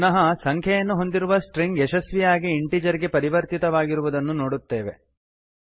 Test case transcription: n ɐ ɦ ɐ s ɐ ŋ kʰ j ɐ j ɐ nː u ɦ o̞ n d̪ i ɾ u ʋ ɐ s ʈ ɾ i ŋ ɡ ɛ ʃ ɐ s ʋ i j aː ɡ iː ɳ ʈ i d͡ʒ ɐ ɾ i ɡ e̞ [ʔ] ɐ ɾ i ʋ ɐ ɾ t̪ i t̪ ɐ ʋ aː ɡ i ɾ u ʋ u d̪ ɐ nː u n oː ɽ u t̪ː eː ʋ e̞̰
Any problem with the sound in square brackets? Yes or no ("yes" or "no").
yes